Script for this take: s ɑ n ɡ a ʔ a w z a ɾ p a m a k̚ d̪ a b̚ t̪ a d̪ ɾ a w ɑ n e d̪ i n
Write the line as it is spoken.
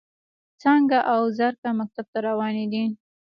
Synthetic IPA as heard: t͡s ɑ ŋ ɡ a ʔ a w z a ɾ k a m a k̚ t̪ a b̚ t̪ a ɾ a w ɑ n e d̪ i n